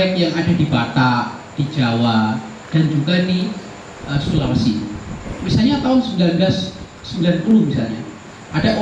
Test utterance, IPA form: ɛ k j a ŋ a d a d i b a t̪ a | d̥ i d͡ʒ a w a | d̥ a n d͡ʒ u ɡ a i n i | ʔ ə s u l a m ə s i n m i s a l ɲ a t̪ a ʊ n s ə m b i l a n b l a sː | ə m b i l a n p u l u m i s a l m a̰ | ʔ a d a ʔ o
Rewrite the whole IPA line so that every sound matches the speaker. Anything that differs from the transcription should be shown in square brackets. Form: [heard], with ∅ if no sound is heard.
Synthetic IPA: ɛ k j a ŋ a d a d i b a t̪ a | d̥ i d͡ʒ a w a | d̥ a n d͡ʒ u ɡ a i n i | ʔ ə s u l a m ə s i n m i s a l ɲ a t̪ a ʊ n s ə m b i l a n b l a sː | ə m b i l a n p u l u m i s a l [ɲ] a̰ | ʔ a d a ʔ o